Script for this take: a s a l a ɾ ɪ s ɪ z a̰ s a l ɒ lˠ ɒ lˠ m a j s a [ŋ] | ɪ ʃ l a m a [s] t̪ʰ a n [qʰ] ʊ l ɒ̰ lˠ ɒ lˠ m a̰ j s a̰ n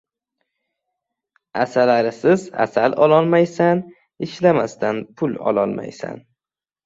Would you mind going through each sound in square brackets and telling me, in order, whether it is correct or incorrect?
incorrect: n, correct, incorrect: pʰ

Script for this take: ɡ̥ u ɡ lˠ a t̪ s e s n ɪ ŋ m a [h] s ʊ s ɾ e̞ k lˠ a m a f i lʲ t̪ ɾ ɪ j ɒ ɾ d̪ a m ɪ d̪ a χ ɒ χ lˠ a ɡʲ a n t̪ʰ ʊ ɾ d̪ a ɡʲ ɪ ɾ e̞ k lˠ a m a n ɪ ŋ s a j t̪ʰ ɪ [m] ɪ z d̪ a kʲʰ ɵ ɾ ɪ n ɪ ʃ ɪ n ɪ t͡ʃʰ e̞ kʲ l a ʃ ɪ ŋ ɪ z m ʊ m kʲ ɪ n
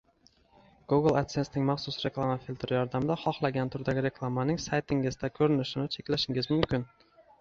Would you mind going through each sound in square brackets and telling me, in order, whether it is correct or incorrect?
incorrect: χ, incorrect: ŋ

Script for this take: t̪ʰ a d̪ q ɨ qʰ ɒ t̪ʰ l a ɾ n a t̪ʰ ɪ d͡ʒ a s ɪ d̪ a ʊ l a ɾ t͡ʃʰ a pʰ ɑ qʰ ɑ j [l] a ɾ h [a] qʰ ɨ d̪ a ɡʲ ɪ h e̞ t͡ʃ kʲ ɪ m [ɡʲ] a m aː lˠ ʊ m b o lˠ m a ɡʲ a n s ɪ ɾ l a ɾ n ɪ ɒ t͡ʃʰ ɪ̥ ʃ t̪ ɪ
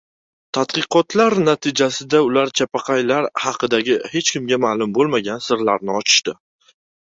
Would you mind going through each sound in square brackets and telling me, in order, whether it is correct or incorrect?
correct, incorrect: ɑ, correct

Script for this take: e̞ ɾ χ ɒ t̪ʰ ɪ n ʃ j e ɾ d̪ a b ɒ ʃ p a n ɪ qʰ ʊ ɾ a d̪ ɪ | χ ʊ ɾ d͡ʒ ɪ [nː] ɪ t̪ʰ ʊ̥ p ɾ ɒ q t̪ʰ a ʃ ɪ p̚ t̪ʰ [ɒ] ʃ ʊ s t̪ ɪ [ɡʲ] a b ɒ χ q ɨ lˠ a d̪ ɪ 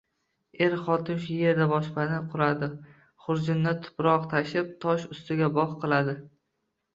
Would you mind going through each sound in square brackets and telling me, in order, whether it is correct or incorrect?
correct, correct, correct

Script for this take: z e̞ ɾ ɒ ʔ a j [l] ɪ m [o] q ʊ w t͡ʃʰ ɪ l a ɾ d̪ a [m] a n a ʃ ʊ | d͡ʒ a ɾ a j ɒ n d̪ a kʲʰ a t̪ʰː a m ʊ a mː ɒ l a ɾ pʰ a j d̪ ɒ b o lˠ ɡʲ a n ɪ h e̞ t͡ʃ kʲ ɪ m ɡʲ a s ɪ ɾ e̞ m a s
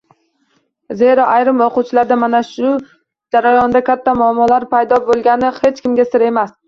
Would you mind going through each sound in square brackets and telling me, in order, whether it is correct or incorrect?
incorrect: ɾ, correct, correct

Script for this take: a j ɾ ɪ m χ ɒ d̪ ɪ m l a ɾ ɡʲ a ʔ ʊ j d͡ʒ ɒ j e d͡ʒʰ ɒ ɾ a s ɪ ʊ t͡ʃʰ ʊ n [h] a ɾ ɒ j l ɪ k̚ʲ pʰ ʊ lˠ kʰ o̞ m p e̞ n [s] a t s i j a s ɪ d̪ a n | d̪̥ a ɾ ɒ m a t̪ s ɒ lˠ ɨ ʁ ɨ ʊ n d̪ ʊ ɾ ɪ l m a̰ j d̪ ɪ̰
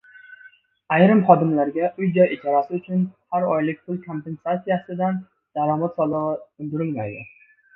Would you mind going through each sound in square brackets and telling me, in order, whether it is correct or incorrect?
correct, correct

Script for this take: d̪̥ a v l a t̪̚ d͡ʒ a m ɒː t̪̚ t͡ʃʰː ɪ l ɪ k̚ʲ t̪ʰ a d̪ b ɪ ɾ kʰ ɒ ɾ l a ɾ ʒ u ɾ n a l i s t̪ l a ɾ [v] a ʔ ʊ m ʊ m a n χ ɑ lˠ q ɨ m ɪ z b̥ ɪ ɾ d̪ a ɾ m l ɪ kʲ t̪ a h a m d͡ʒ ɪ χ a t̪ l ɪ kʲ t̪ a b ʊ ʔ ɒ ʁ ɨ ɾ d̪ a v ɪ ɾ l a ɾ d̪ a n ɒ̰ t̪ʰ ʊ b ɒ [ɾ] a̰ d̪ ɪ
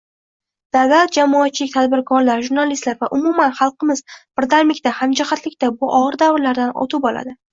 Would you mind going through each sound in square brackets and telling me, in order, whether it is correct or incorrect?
correct, incorrect: l

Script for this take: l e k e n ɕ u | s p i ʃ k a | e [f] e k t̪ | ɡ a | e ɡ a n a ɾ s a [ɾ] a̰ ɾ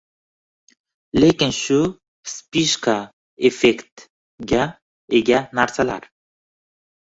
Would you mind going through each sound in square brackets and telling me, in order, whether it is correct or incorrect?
correct, incorrect: l

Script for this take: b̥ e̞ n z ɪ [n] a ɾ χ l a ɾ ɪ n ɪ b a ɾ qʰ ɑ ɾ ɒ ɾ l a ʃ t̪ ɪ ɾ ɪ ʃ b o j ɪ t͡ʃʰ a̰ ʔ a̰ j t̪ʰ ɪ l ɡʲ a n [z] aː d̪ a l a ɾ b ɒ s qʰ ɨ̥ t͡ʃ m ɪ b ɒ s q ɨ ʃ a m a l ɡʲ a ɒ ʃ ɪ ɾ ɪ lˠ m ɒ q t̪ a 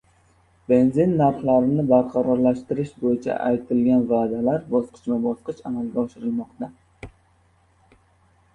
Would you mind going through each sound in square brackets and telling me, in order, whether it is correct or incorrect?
incorrect: nː, incorrect: v

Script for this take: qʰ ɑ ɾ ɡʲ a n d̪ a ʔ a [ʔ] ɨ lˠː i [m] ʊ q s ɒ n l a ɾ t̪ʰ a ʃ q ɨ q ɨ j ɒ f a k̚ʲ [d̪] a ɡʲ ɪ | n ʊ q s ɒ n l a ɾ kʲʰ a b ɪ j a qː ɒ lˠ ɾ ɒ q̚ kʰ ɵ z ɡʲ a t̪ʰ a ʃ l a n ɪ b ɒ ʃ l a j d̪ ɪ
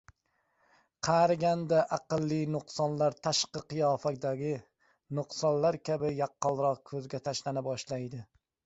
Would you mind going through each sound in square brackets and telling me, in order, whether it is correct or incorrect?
incorrect: q, incorrect: n, correct

